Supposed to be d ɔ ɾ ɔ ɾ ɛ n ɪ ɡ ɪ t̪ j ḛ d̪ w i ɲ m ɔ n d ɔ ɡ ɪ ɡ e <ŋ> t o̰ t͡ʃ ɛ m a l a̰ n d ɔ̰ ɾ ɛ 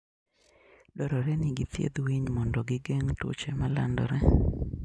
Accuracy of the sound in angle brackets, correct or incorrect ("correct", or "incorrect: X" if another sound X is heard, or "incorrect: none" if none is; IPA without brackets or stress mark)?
correct